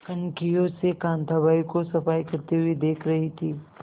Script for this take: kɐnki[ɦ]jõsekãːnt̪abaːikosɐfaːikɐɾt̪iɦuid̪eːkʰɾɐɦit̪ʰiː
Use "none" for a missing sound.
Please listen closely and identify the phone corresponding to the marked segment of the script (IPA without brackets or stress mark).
none